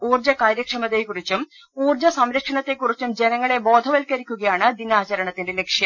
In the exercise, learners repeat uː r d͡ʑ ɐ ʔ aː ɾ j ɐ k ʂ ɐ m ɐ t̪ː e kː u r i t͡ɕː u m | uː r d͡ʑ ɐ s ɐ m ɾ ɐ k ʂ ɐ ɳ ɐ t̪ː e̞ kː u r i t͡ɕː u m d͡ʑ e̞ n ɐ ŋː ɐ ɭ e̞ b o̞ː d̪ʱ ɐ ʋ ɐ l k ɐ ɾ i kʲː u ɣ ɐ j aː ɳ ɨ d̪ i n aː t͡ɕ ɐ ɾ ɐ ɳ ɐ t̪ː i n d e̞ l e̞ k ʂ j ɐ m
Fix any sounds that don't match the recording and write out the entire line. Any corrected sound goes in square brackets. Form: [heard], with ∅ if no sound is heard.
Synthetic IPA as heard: uː r d͡ʑ ɐ [k] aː ɾ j ɐ k ʂ ɐ m ɐ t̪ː e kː u r i t͡ɕː u m | uː r d͡ʑ ɐ s ɐ m ɾ ɐ k ʂ ɐ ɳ ɐ t̪ː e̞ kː u r i t͡ɕː u m d͡ʑ e̞ n ɐ ŋː ɐ ɭ e̞ b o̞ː d̪ʱ ɐ ʋ ɐ l k ɐ ɾ i kʲː u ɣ ɐ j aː ɳ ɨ d̪ i n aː t͡ɕ ɐ ɾ ɐ ɳ ɐ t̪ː i n d e̞ l e̞ k ʂ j ɐ m